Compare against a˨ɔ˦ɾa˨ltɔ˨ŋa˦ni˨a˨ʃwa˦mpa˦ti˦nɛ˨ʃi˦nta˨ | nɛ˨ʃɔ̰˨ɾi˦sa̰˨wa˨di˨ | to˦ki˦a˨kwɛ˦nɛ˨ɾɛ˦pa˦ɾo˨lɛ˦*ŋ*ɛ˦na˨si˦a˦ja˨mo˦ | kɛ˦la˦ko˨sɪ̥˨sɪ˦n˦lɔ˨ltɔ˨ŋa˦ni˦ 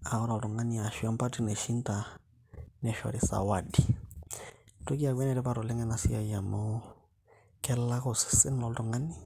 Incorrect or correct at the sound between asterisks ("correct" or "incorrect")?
correct